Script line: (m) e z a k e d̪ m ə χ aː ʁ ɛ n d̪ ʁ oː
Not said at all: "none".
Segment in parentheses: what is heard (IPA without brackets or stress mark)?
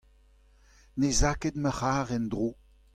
n